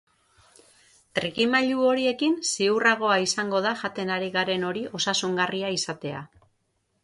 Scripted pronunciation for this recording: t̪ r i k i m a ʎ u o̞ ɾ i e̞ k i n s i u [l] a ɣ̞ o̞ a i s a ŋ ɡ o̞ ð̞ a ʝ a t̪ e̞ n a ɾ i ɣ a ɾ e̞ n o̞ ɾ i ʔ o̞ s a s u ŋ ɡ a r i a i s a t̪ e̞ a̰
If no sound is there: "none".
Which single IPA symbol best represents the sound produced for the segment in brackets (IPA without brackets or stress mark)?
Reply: r